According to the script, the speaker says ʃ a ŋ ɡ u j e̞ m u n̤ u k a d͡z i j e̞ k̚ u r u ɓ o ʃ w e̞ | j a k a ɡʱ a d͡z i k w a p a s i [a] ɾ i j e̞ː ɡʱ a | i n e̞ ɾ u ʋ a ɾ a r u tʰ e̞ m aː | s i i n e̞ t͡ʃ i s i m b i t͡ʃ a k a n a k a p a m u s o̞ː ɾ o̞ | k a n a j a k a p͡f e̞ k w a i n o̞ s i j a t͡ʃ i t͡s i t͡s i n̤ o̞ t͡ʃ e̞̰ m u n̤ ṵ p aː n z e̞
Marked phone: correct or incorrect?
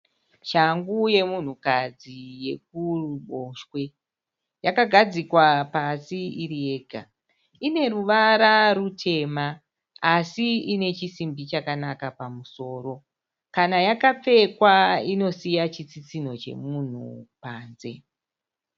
incorrect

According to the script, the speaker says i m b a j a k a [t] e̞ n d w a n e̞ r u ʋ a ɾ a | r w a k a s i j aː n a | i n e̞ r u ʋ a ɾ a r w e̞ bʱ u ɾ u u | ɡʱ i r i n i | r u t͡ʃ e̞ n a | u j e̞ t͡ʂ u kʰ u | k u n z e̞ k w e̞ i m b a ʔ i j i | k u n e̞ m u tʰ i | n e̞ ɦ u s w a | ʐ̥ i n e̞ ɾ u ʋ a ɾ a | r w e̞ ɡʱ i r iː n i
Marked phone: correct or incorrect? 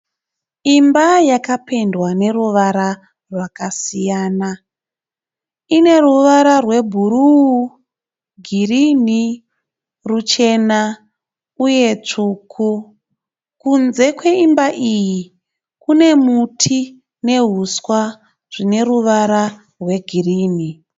incorrect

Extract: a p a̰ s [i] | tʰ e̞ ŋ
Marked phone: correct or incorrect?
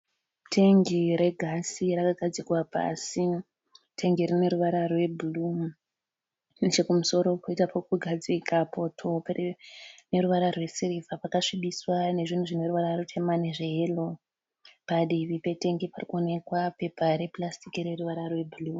correct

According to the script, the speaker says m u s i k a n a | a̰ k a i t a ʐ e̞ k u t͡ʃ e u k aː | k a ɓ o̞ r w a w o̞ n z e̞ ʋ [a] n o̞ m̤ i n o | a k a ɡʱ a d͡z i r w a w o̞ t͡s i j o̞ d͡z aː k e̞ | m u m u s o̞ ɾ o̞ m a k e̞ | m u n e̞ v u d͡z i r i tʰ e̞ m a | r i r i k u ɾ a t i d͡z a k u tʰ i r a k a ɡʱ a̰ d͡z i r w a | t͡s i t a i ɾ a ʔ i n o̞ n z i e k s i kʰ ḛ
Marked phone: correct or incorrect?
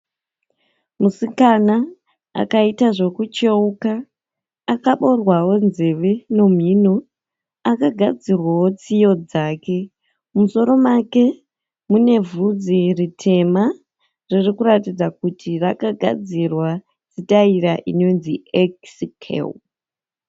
incorrect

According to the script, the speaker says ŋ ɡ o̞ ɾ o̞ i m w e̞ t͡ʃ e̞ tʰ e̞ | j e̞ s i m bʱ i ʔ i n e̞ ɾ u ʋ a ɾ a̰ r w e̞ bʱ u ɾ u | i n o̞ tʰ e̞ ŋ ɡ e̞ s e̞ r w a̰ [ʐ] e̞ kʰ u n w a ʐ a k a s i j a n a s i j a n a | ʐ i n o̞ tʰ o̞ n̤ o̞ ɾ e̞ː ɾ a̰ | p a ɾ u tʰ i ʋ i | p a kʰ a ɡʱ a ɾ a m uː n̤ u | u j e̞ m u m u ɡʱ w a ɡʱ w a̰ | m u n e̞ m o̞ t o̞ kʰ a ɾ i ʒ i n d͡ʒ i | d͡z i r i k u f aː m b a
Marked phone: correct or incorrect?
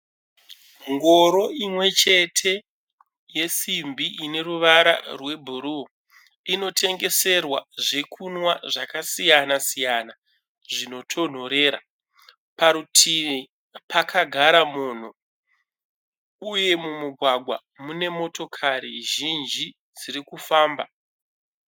correct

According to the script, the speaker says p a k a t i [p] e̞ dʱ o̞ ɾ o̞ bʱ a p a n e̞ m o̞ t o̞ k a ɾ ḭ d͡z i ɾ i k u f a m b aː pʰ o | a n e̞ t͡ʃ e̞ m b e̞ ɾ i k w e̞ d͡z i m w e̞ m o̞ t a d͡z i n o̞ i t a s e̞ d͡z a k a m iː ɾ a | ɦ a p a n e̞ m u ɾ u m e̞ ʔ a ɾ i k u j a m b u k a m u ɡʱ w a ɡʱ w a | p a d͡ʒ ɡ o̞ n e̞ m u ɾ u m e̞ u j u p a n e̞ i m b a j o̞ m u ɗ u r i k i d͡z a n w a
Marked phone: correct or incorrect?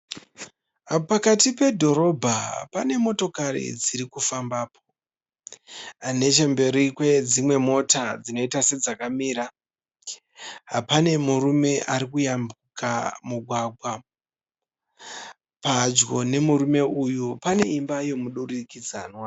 correct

